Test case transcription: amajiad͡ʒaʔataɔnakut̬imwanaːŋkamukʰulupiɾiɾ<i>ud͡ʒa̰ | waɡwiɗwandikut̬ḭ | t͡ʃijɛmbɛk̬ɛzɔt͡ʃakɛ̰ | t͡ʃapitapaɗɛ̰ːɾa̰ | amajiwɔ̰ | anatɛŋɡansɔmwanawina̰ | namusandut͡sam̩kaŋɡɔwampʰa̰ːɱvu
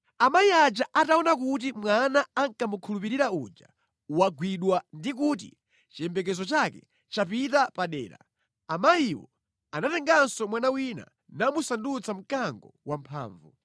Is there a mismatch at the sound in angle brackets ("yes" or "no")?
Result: yes